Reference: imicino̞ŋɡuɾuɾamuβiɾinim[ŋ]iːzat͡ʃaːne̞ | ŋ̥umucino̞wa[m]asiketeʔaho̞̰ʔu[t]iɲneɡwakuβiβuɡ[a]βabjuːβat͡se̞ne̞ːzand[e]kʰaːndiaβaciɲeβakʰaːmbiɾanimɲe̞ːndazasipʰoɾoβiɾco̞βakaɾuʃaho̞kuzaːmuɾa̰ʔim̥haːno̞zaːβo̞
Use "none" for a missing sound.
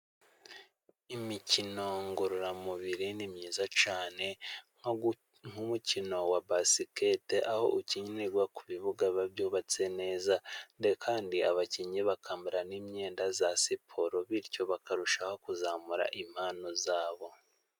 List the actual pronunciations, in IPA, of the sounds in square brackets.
ɲ, b, c, a, e

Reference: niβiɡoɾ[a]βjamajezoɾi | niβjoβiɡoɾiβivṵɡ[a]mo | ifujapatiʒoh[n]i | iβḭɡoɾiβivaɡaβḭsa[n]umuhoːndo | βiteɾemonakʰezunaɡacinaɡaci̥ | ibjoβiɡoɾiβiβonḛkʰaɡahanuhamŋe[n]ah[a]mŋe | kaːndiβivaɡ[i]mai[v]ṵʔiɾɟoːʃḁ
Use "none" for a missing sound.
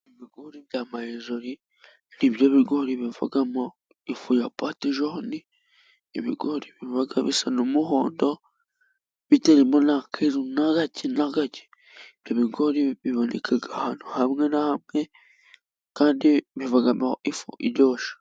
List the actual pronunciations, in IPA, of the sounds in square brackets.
i, a, n, n, n, a, a, f

